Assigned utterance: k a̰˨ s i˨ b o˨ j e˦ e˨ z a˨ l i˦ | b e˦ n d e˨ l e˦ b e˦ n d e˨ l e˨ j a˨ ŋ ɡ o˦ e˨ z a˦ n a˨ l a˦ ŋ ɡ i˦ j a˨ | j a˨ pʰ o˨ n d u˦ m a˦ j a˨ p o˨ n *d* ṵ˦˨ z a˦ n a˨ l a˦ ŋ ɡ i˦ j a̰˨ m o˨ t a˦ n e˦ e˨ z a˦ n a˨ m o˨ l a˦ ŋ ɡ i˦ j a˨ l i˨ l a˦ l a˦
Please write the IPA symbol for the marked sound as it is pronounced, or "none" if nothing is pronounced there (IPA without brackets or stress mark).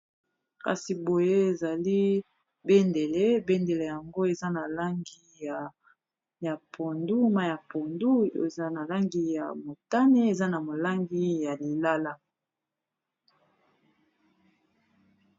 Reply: d